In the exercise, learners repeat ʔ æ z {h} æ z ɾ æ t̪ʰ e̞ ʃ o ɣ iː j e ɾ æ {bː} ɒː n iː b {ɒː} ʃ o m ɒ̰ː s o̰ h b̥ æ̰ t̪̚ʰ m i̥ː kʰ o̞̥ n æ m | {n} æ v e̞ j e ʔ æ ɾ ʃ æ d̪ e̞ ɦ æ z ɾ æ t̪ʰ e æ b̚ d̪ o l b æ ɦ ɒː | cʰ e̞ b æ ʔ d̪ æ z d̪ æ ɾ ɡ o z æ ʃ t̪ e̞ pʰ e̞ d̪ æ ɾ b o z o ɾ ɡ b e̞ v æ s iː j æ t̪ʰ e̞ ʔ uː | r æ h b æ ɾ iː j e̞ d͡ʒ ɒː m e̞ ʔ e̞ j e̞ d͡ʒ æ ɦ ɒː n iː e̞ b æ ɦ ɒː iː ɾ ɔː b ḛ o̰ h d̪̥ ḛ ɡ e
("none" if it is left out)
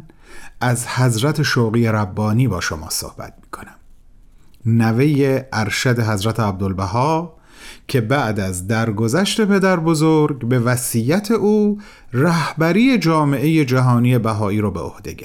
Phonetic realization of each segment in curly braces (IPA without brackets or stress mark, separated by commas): h, bː, ɒː, n